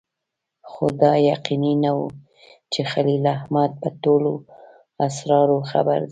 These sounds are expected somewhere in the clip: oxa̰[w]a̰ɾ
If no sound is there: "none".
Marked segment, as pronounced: b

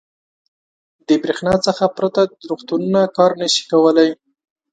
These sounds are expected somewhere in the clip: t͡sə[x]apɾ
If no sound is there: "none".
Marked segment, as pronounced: x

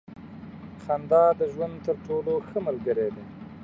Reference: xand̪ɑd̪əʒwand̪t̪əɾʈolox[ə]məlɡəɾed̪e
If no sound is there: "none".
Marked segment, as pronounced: ə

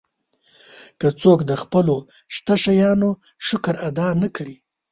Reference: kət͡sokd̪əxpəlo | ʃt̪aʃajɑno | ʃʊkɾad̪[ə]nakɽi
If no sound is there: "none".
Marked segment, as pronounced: ɑ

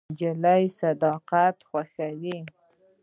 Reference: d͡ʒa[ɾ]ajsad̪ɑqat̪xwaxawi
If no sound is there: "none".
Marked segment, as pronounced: l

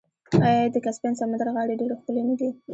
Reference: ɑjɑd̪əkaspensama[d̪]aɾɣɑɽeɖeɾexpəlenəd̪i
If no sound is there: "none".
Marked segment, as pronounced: d̪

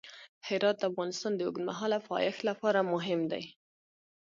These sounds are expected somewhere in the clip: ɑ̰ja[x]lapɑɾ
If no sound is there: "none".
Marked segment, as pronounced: x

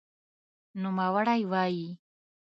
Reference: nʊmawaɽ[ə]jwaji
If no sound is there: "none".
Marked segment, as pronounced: a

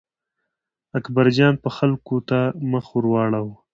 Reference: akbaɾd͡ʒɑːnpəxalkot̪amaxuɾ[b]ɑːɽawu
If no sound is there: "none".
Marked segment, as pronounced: w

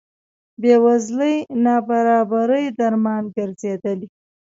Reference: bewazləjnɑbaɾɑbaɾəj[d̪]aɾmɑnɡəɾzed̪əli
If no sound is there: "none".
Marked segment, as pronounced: d̪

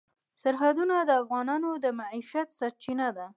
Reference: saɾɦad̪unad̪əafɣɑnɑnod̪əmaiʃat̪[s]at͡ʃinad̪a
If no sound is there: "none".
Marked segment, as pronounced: s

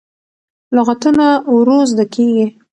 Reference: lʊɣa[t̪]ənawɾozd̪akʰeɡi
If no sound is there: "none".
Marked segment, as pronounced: t̪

